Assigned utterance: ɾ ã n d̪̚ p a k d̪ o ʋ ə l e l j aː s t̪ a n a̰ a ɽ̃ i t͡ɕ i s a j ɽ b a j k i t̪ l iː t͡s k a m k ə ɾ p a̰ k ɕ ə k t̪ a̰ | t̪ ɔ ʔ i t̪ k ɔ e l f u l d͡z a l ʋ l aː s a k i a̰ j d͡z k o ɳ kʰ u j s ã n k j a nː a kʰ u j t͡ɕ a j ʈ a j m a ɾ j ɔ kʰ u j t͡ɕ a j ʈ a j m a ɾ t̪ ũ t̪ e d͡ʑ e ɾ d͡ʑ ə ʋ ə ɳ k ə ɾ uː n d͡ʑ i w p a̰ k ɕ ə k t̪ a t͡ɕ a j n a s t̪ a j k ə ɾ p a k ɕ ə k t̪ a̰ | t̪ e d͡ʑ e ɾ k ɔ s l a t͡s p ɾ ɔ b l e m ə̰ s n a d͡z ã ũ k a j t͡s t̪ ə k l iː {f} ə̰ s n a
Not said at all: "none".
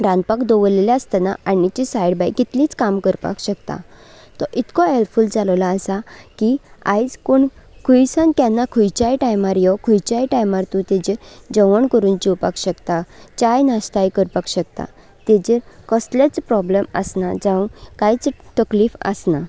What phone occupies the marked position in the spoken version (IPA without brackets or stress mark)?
f